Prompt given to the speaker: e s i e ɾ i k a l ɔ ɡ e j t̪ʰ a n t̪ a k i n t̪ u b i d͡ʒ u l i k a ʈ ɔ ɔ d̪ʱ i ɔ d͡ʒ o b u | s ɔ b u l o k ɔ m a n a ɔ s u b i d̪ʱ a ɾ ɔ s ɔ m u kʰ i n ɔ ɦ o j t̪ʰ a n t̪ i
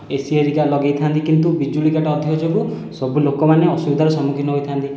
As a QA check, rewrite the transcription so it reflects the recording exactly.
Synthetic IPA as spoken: e s i e ɾ i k a l ɔ ɡ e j t̪ʰ a n t̪ i k i n t̪ u b i d͡ʒ u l i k a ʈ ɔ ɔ d̪ʱ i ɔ d͡ʒ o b u | s ɔ b u l o k ɔ m a n e ɔ s u b i d̪ʱ a ɾ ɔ s ɔ m u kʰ i n ɔ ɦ o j t̪ʰ a n t̪ i